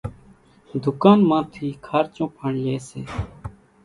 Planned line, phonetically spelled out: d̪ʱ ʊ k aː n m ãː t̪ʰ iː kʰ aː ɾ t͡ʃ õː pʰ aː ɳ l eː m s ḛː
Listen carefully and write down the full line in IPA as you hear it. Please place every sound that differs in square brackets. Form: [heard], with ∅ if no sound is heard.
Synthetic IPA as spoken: d̪ʱ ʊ k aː n m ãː t̪ʰ iː kʰ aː ɾ t͡ʃ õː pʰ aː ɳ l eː [∅] s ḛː